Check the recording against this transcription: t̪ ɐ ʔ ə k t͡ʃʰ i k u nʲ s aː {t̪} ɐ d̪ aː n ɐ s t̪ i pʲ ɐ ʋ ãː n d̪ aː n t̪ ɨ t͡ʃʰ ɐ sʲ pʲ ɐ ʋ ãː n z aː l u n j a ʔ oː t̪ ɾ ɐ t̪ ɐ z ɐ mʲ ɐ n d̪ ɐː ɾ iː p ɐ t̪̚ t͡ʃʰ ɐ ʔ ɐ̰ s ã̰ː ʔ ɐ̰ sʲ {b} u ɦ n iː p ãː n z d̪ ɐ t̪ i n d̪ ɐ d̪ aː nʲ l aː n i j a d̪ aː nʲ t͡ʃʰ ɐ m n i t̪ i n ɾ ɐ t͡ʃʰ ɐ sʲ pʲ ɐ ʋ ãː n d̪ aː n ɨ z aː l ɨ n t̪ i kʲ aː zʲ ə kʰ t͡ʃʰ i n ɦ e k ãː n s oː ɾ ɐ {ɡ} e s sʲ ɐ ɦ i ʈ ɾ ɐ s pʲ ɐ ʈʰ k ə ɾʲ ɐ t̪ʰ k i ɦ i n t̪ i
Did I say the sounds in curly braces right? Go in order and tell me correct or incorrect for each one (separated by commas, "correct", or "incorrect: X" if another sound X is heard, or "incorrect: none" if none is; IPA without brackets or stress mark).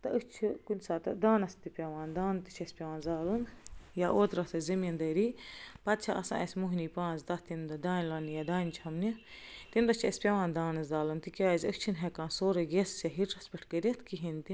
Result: correct, incorrect: m, correct